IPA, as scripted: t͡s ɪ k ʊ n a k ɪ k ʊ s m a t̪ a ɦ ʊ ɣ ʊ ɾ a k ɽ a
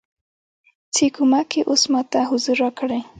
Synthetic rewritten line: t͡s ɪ k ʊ m a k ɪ ʔ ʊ s m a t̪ a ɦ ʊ z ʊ ɾ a k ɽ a